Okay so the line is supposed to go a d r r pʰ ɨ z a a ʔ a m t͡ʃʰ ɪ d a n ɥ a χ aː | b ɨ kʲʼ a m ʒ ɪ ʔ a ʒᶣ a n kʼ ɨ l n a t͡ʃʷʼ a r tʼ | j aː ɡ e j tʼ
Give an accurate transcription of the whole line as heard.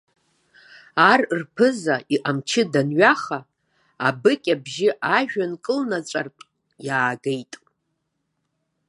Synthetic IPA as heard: a r r pʰ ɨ z a i ʔ a m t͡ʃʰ ɪ d a n ɥ a χ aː | b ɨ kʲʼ a b ʒ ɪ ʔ a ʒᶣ a n kʼ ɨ l n a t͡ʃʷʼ a r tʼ | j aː ɡ e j tʼ